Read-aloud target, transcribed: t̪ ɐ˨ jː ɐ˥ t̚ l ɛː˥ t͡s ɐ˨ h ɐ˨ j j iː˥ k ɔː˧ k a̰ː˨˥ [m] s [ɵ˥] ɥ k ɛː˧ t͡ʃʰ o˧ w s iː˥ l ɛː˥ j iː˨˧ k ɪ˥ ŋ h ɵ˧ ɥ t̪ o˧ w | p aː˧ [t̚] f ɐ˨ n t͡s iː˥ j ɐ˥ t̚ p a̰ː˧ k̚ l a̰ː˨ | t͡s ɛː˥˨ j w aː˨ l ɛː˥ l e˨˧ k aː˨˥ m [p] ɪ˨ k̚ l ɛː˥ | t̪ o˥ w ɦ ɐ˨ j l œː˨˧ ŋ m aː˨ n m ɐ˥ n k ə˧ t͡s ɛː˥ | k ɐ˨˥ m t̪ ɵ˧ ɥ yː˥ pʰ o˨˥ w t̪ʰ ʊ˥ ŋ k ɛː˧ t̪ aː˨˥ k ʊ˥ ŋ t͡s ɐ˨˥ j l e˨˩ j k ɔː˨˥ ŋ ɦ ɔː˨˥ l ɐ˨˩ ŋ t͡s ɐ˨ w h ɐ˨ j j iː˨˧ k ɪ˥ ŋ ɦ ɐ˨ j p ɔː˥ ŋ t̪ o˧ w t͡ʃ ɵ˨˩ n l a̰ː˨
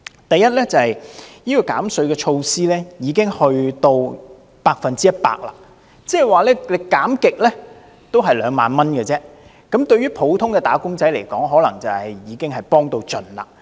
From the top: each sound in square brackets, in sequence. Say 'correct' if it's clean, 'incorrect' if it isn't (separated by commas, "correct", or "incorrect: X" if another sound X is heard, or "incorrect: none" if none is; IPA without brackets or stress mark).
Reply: correct, incorrect: ɵ˨˧, incorrect: k̚, incorrect: k